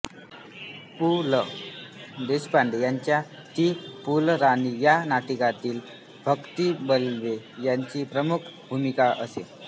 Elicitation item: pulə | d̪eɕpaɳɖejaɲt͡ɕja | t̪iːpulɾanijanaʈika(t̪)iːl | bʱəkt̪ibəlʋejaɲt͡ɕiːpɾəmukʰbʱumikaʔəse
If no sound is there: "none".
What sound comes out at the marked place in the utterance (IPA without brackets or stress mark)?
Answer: t̪